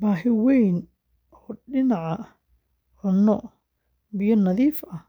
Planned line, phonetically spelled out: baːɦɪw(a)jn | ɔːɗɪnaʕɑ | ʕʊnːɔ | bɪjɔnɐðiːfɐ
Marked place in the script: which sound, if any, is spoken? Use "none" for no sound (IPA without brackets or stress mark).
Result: ɛ